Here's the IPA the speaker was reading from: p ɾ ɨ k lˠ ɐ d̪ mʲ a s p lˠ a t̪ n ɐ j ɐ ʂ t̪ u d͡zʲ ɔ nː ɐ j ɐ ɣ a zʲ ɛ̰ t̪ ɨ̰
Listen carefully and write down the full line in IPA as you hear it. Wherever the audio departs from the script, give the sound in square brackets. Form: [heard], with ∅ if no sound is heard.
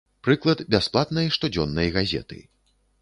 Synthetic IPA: p ɾ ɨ k lˠ ɐ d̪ [bʲ] a s p lˠ a t̪ n ɐ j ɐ ʂ t̪ u d͡zʲ ɔ nː ɐ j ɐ ɣ a zʲ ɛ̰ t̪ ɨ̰